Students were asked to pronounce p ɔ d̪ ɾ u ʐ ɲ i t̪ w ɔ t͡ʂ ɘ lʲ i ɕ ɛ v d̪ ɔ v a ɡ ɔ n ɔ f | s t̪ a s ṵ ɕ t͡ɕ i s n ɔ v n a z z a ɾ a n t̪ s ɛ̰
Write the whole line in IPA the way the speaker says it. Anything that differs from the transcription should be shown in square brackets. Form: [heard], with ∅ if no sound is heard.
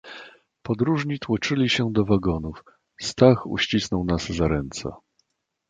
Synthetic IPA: p ɔ d̪ ɾ u ʐ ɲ i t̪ w ɔ t͡ʂ ɘ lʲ i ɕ ɛ [∅] d̪ ɔ v a ɡ ɔ n [u] f | s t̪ a [x] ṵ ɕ t͡ɕ i s n ɔ [w] n a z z a ɾ [ɛ] n t̪ s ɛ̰